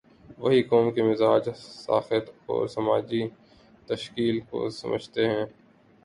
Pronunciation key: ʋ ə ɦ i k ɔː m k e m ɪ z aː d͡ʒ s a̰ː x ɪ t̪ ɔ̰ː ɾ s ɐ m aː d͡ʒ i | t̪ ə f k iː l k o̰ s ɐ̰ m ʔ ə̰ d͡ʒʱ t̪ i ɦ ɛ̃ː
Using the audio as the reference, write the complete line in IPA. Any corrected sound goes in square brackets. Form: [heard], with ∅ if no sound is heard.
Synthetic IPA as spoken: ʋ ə ɦ i k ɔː m k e m ɪ z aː d͡ʒ s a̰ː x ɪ t̪ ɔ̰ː ɾ s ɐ m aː d͡ʒ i | t̪ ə [ʃ] k iː l k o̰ s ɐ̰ m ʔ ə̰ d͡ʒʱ t̪ [e] ɦ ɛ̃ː